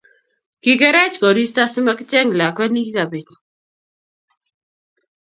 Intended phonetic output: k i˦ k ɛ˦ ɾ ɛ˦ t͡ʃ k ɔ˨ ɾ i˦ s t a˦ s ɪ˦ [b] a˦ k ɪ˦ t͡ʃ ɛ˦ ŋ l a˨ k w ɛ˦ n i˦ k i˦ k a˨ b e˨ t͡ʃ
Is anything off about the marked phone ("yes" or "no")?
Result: yes